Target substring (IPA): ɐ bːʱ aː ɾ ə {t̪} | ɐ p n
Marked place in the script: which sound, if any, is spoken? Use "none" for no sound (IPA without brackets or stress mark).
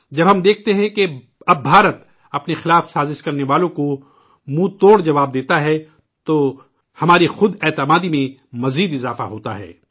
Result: t̪